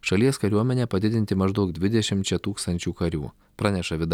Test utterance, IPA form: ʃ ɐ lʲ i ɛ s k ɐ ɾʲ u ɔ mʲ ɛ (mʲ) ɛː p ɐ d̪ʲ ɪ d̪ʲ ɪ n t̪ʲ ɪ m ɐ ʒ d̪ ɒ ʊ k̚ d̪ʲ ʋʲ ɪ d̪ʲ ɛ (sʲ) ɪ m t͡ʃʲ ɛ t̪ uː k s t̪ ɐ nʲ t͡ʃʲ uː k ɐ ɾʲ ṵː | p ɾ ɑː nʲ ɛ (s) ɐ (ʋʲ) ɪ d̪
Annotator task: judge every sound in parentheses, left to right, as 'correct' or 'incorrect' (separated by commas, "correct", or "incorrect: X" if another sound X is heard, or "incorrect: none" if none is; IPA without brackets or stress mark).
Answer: incorrect: nʲ, incorrect: ʃʲ, incorrect: ʃ, correct